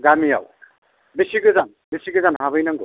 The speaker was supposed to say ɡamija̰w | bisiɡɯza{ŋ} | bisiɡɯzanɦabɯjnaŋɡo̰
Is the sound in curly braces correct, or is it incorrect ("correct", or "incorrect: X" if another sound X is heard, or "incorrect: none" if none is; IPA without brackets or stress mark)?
incorrect: n